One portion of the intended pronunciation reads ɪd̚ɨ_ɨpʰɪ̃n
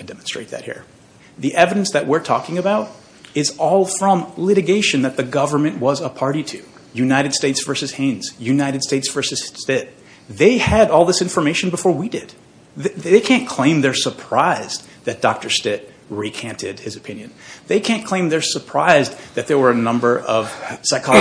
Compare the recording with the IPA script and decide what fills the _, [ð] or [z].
z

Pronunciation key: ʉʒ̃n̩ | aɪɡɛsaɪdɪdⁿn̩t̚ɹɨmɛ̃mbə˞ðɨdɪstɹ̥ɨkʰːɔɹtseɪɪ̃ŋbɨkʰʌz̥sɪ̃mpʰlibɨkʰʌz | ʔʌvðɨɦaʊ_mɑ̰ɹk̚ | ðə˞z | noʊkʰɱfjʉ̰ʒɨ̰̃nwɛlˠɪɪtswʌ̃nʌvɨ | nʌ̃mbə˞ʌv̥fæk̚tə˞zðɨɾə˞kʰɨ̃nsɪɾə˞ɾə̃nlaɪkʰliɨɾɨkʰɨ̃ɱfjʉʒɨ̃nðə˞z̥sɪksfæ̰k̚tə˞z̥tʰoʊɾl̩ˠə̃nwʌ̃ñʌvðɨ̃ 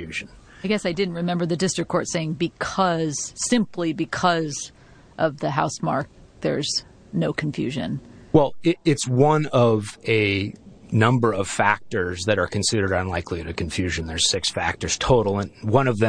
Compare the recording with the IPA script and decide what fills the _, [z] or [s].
s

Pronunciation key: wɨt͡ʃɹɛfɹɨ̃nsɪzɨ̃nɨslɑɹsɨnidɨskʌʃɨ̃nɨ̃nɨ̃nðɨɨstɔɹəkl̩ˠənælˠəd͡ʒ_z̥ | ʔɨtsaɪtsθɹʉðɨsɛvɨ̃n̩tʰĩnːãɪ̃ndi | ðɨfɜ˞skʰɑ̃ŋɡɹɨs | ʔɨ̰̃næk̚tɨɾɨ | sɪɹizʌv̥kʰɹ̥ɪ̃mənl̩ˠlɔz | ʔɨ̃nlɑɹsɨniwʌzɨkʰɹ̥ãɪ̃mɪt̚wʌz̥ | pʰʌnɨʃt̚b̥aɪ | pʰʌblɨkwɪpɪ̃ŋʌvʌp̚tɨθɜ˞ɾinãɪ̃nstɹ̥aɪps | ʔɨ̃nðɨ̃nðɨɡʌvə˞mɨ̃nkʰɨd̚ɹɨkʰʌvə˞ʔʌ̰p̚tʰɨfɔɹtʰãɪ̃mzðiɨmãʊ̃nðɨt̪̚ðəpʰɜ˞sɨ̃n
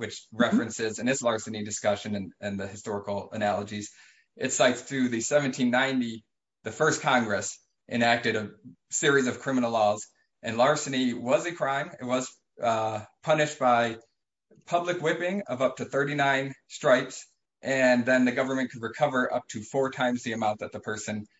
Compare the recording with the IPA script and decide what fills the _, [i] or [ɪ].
i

